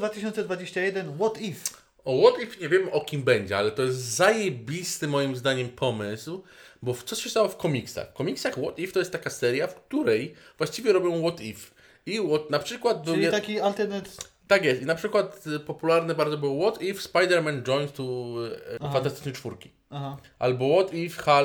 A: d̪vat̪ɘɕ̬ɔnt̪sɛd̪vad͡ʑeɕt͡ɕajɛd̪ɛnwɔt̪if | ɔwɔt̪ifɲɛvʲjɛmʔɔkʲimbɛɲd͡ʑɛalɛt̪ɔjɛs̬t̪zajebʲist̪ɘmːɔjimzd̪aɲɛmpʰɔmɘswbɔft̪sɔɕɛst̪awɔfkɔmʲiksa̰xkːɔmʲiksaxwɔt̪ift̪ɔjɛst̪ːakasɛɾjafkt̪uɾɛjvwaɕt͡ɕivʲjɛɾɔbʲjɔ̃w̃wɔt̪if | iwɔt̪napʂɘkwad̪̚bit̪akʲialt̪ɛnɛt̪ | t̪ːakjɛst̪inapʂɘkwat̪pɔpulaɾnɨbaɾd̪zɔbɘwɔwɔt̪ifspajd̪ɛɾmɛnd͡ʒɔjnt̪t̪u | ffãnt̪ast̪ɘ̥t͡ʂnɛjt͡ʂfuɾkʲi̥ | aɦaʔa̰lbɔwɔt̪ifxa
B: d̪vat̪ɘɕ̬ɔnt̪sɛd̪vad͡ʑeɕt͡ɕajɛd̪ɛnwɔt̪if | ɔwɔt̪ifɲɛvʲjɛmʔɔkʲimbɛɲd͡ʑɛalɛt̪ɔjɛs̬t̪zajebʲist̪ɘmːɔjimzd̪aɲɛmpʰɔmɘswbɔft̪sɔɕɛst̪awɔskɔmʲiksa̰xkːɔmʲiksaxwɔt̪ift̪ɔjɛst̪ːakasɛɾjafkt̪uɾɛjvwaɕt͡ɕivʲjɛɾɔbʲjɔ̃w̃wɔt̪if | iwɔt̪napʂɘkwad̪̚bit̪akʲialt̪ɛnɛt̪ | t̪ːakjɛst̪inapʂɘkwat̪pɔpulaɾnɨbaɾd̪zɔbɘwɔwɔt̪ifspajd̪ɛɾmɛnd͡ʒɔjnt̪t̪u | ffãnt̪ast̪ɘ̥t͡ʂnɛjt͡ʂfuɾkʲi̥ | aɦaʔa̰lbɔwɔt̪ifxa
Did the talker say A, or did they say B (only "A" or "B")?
A